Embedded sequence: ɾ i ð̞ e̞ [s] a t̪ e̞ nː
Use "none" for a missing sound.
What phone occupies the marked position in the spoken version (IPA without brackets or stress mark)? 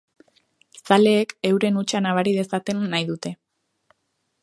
s